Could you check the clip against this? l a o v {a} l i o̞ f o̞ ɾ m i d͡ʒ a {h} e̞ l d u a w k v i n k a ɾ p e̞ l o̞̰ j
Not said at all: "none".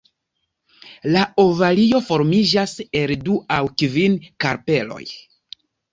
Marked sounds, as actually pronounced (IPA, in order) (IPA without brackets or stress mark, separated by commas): a, s